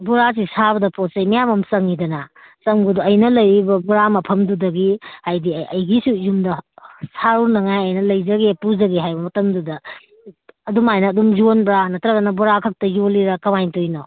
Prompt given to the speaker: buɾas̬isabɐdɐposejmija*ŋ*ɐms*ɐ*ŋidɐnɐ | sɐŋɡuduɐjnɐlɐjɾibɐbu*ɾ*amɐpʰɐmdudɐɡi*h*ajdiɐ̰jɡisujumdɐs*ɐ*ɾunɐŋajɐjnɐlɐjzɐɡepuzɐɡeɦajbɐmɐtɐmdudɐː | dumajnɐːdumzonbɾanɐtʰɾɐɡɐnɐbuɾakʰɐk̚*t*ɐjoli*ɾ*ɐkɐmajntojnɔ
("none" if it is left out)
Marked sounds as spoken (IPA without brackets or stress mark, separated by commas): m, ɐ, ɾ, h, a, t, ɾ